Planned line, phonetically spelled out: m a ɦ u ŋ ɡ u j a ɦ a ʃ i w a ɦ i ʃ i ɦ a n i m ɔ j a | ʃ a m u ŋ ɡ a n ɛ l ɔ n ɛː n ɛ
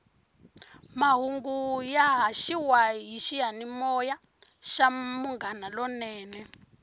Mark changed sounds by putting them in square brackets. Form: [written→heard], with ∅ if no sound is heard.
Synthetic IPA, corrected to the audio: m a ɦ u ŋ ɡ u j a ɦ a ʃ i w a ɦ i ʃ i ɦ a n i m ɔ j a | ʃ a m u ŋ ɡ a n [ɛ→a] l ɔ n ɛː n ɛ